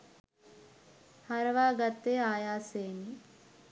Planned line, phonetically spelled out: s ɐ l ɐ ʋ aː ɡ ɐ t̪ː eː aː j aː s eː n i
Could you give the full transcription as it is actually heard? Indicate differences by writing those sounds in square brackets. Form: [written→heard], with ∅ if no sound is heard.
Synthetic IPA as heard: [s→h] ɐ [l→ɾ] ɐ ʋ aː ɡ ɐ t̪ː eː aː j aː s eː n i